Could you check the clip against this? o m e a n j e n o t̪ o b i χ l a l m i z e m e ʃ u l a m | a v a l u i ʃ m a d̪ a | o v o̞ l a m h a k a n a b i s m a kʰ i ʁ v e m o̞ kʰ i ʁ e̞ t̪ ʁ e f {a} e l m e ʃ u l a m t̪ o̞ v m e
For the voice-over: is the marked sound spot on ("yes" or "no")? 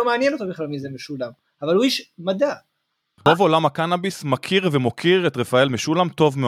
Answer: yes